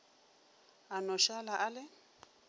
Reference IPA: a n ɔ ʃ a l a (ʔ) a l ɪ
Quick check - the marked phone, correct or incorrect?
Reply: correct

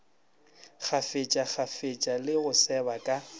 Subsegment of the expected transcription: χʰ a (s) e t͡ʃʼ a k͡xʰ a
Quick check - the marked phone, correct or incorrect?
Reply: incorrect: f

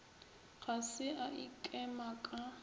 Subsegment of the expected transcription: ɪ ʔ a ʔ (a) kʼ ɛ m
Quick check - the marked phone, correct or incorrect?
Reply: incorrect: i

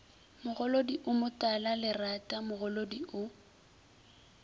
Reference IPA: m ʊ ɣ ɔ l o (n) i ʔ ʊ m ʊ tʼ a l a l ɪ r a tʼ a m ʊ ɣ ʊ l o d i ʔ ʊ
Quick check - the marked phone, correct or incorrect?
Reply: incorrect: d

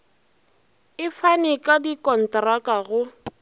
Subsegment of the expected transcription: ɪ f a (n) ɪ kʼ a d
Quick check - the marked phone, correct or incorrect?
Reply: correct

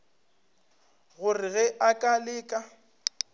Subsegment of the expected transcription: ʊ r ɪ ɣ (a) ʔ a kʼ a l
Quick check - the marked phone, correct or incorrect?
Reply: incorrect: ɛ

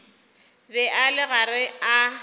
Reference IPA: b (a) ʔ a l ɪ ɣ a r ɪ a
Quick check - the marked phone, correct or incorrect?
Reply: incorrect: ɛ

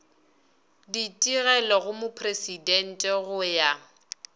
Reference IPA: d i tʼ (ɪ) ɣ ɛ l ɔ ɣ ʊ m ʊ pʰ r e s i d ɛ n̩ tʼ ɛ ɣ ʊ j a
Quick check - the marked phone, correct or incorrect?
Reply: incorrect: i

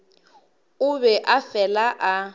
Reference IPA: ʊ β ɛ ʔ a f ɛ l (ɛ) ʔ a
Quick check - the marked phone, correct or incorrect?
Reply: incorrect: a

